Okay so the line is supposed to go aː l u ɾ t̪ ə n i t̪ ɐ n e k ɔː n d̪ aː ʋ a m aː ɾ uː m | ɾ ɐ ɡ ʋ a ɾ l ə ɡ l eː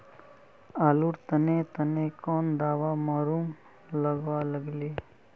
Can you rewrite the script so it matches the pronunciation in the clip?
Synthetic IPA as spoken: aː l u ɾ t̪ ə n e t̪ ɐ n e k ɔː n d̪ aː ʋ a m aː ɾ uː m | l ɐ ɡ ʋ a l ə ɡ l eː